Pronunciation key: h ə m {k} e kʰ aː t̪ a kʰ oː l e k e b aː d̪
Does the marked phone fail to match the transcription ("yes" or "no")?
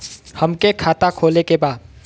no